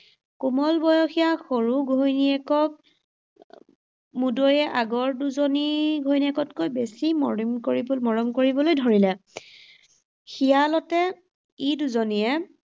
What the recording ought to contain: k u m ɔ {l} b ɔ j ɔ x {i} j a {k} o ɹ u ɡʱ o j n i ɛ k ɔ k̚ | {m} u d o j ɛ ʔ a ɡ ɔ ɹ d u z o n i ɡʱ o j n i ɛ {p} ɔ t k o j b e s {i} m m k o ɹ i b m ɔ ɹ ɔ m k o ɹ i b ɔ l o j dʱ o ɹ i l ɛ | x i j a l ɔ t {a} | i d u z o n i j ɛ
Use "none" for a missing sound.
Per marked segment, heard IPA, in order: l, i, x, m, k, i, ɛ

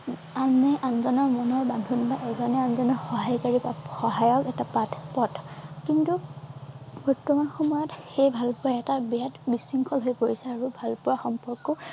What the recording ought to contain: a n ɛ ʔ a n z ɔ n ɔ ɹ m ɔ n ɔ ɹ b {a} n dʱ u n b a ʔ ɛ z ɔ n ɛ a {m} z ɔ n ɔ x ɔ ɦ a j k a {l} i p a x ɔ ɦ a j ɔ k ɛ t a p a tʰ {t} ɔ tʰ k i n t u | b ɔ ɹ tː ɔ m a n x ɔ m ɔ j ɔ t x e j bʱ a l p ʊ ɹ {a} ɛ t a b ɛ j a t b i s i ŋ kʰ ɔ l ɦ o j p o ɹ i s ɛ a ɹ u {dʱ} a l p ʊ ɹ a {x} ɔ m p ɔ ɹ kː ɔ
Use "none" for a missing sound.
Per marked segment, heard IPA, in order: a, n, ɹ, p, a, bʱ, x

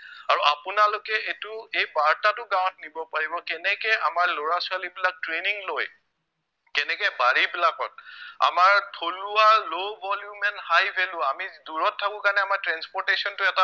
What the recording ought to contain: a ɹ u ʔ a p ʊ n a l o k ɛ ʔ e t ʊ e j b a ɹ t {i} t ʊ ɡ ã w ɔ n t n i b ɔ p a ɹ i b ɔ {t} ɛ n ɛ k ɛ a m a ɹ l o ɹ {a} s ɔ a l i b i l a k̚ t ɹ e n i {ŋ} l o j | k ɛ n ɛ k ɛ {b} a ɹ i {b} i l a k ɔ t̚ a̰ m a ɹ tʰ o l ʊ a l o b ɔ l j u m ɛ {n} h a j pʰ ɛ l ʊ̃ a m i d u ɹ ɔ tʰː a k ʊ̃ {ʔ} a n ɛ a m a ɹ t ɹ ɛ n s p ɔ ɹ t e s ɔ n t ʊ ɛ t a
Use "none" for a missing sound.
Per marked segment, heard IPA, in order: a, k, a, ŋ, b, b, n, k

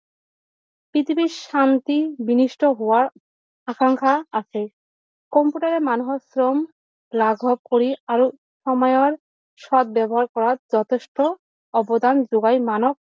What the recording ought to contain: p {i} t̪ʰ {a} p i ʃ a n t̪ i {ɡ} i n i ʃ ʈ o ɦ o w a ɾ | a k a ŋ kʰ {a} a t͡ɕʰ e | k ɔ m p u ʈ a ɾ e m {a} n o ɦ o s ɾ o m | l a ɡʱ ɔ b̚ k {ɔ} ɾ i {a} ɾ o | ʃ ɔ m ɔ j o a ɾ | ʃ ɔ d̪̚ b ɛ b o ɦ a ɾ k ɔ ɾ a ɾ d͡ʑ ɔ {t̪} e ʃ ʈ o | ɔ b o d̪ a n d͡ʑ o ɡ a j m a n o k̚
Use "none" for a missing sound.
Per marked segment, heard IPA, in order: i, i, b, a, a, o, a, t̪ʰ

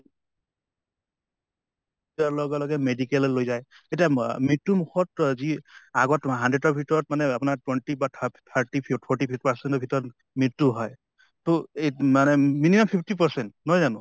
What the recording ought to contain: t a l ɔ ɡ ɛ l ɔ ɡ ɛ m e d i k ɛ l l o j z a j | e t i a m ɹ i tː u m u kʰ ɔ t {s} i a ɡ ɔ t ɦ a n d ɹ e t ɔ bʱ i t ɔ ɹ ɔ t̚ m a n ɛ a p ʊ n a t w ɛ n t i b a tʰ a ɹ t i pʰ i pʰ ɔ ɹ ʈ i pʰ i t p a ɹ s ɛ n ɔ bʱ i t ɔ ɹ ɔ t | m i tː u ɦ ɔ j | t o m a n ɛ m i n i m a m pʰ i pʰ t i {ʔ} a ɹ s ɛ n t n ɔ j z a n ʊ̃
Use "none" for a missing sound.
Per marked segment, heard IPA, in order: z, p

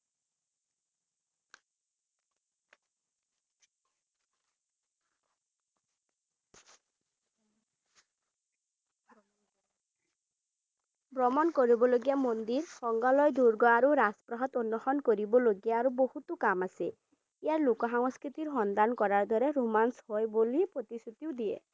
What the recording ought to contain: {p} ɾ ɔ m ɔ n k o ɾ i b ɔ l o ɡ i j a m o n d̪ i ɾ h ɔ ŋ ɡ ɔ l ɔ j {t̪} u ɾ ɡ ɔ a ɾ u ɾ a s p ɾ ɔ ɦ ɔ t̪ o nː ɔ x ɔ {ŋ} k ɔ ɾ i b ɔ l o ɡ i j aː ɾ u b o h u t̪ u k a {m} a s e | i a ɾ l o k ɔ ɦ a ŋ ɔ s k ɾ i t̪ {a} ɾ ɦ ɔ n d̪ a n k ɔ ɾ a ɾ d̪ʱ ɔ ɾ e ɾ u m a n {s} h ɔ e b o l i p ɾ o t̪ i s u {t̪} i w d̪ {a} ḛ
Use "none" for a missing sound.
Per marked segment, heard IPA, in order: b, d̪, n, m, i, s, t̪, i

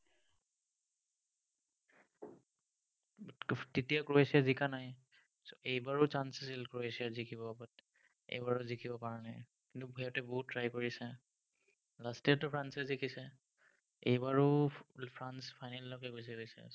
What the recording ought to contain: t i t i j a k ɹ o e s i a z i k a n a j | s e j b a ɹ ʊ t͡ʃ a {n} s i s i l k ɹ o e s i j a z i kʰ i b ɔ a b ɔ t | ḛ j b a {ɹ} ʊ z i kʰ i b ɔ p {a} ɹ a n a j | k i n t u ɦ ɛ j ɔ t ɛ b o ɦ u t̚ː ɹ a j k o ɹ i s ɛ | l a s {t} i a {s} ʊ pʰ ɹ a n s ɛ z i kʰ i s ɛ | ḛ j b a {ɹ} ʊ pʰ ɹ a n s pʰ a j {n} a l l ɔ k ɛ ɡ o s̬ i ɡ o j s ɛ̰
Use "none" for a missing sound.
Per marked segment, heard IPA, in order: n, ɹ, a, t, t, ɹ, n

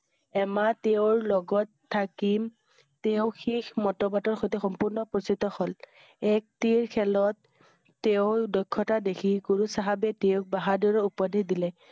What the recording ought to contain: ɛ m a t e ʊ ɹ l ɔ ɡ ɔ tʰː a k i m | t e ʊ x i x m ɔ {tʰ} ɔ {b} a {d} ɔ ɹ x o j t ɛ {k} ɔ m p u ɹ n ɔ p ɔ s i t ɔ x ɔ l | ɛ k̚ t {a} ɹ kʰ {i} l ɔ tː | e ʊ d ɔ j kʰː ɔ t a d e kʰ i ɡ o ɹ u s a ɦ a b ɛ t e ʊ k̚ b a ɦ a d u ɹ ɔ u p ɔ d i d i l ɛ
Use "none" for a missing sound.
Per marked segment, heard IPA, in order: t, b, t, x, i, ɛ

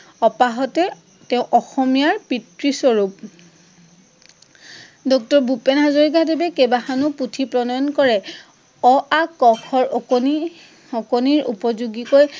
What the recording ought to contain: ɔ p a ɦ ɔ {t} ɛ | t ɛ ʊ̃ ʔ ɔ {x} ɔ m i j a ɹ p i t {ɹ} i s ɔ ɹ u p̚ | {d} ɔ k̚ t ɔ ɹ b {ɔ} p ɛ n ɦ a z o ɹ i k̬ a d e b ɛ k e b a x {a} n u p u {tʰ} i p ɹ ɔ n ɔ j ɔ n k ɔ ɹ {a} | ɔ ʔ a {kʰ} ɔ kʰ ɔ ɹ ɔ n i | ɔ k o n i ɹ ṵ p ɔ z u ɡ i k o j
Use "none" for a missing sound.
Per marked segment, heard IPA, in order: t, x, ɹ, d, u, a, tʰ, ɛ, k

